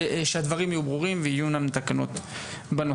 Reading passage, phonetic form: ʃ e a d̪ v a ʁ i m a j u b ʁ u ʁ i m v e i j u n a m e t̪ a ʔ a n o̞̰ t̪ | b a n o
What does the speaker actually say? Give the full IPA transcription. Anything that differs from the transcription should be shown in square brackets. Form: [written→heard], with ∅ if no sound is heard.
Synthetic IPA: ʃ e a d̪ v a ʁ i m a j u b ʁ u ʁ i m v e i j u n a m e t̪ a [ʔ→k] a n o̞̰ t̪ | b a n o